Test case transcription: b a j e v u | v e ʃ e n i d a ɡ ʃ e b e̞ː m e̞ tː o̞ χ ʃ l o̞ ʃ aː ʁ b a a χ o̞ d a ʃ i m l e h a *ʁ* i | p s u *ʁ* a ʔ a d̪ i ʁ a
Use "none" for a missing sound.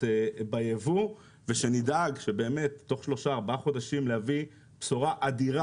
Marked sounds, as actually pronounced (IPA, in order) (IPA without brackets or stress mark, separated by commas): v, ʁ